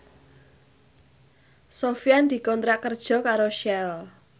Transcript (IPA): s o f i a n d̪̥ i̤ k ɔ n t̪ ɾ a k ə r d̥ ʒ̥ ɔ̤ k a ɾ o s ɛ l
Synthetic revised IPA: s o f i a n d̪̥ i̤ k ɔ n t̪ ɾ a k ə r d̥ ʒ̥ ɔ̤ k a ɾ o ʃ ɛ l